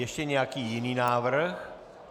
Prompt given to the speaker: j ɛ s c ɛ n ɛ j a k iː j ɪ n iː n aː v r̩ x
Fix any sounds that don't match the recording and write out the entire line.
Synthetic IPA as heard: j ɛ ʃ c ɛ ɲ ɛ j a k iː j ɪ n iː n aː v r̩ x